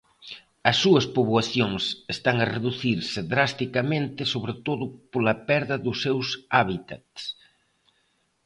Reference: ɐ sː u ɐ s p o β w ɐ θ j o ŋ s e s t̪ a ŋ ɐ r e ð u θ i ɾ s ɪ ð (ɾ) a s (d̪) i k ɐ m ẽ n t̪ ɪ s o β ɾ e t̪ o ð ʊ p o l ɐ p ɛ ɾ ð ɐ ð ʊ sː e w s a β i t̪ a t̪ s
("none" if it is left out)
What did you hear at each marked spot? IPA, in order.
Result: ɾ, t̪

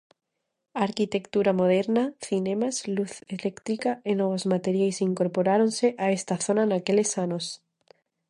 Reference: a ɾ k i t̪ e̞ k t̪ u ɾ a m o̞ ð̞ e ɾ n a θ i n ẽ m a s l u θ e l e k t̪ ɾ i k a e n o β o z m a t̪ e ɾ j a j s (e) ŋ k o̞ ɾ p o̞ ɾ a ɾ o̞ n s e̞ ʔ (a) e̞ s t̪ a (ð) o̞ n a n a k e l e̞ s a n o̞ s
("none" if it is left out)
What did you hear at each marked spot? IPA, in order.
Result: i, a, θ

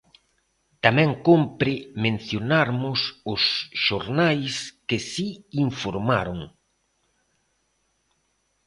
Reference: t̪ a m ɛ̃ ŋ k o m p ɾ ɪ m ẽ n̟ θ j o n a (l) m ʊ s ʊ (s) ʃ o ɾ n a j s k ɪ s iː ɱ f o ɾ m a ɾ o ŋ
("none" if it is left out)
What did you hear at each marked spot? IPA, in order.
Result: ɾ, s

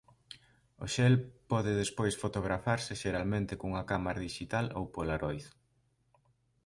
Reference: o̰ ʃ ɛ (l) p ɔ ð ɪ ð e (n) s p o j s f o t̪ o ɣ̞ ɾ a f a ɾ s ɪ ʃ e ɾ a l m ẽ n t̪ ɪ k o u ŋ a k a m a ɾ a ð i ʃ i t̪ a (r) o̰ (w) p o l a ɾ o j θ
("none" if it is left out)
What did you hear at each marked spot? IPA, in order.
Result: l, none, l, w

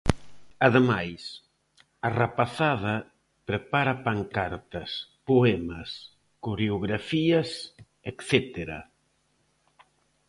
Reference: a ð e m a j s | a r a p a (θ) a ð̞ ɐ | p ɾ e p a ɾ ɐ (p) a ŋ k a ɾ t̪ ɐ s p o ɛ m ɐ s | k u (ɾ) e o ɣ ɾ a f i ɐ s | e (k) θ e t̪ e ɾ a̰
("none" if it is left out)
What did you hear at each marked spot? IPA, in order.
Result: θ, p, ɾ, k

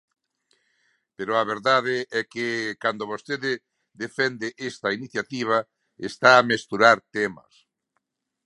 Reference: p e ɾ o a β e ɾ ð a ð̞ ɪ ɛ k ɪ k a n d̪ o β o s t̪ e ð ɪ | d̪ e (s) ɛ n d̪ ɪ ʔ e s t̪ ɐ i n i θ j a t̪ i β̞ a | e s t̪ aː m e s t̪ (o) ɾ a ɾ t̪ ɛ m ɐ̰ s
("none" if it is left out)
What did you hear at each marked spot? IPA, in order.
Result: f, u

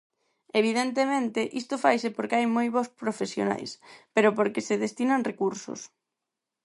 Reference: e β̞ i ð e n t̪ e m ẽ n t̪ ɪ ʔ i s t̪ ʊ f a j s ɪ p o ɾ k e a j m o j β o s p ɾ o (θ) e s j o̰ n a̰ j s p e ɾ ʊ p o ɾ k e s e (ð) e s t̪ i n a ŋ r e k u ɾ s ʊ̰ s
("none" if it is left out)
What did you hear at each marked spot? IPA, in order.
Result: f, ð

